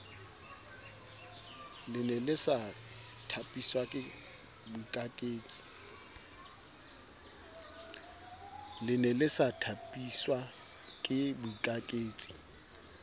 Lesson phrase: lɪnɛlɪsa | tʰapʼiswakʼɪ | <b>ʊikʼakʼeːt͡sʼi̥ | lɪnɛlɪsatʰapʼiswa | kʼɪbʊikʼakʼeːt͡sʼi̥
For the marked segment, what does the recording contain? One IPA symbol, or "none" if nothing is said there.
b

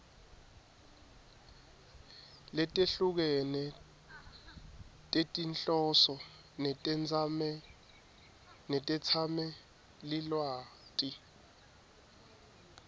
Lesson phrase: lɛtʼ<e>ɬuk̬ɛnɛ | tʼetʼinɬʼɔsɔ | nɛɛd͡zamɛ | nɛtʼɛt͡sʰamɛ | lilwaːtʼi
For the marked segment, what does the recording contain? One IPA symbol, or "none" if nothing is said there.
e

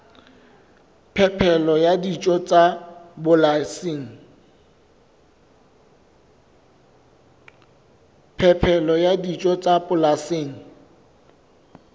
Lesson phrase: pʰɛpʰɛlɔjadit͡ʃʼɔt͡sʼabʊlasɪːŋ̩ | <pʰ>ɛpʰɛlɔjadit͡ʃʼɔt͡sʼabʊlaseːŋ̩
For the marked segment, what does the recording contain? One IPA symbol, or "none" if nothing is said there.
pʰ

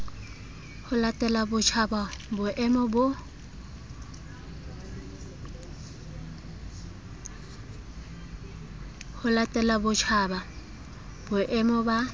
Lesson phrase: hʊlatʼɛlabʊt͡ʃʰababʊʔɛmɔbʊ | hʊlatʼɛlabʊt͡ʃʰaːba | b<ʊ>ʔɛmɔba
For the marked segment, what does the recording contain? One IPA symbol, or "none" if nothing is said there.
ʊ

